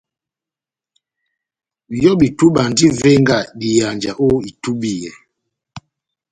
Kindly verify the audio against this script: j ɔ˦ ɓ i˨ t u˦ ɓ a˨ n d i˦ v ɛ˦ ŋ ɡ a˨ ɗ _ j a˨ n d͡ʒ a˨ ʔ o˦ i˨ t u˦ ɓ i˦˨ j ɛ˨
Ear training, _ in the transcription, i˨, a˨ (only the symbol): i˨